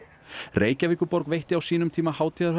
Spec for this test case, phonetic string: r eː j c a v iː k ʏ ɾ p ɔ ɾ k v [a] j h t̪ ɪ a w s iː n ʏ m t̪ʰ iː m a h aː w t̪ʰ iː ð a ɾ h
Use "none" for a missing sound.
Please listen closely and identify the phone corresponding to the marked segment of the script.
e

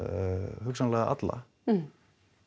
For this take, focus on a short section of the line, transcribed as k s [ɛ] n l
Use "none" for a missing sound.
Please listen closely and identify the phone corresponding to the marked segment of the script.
a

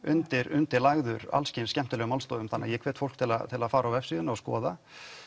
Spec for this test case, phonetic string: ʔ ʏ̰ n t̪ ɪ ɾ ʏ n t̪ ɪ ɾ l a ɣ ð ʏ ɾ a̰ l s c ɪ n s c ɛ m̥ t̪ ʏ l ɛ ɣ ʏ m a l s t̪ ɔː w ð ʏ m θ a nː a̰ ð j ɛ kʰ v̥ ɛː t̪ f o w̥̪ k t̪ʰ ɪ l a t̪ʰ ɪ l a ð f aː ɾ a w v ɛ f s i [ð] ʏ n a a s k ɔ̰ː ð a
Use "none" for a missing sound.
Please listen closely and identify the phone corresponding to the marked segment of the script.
ð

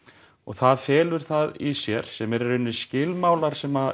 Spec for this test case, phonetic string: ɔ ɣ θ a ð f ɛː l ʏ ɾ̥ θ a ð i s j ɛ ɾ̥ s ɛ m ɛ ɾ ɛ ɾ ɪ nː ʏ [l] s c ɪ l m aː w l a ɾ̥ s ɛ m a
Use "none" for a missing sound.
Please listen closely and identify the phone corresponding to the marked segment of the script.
none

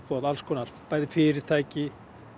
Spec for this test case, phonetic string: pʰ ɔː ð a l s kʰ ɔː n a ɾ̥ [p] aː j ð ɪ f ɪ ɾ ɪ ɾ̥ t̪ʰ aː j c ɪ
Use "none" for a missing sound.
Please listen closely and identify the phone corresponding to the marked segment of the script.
p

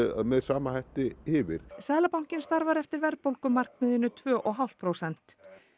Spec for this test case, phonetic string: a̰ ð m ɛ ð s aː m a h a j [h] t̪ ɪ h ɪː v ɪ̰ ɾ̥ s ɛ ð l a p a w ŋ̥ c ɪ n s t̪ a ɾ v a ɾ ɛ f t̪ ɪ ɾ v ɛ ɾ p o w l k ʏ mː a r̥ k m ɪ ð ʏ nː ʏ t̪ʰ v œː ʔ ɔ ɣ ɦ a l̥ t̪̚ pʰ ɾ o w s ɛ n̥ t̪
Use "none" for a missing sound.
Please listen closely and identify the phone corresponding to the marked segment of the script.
h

